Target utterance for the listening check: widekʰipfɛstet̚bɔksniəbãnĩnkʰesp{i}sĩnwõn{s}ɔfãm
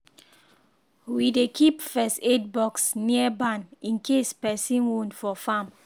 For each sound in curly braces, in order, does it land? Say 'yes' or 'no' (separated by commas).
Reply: no, no